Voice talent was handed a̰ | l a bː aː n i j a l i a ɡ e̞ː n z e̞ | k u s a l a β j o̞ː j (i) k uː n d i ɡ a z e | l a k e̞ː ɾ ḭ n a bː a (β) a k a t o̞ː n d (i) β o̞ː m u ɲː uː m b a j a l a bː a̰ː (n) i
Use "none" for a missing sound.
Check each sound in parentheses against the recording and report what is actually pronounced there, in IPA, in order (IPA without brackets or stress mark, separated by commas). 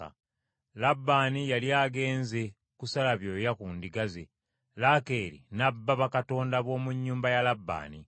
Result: a, β, a, n